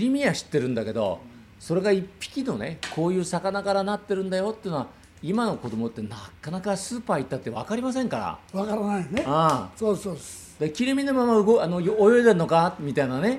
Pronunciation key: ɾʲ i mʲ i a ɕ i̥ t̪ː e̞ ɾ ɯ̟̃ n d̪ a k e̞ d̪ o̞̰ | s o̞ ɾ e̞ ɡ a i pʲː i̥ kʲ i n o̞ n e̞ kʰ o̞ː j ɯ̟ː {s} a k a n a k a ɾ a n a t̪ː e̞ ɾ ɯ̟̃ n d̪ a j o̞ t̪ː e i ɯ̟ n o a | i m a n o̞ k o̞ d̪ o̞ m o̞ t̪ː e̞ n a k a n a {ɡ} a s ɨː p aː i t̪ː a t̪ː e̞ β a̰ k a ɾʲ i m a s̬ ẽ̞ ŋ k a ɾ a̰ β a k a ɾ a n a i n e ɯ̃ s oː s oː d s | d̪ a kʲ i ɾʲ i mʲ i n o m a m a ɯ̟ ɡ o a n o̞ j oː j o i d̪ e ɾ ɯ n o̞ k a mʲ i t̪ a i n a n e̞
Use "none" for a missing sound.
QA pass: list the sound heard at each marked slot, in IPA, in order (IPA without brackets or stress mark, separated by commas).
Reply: s, k